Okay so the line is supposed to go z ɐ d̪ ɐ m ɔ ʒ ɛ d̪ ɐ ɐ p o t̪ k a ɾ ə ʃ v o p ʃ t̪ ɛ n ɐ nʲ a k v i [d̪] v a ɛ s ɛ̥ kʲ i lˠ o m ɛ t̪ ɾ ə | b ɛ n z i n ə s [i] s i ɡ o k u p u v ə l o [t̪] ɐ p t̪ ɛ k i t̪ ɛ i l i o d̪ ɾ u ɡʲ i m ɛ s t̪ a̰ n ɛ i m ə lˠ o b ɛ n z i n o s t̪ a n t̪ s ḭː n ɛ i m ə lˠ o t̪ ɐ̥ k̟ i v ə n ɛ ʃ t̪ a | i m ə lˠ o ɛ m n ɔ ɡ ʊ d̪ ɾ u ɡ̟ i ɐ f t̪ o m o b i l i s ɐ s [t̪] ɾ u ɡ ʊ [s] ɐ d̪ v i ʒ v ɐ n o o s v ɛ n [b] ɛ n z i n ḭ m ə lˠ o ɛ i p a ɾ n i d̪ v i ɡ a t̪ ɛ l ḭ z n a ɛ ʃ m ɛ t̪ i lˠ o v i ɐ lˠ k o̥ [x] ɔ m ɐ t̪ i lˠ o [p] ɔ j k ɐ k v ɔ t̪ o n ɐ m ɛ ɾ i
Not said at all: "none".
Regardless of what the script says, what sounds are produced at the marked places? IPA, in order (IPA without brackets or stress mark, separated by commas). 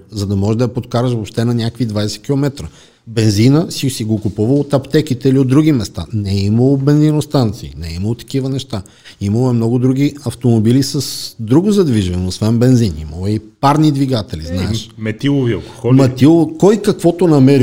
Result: d̪, i, t̪, d̪, z, b, x, k